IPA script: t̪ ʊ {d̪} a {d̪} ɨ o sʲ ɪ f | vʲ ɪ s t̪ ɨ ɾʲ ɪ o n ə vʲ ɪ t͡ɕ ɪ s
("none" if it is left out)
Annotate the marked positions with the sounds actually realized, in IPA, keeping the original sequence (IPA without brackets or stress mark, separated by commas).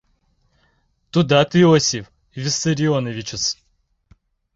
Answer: d̪, t̪